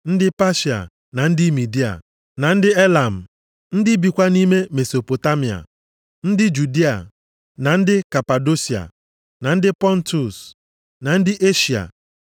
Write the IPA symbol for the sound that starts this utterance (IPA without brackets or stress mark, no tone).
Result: n̩